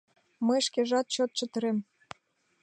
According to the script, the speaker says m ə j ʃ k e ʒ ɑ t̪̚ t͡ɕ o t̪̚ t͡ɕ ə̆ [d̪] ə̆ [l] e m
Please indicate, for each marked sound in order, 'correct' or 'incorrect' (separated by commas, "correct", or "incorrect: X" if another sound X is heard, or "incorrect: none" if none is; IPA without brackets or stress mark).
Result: incorrect: t̪, incorrect: ɾ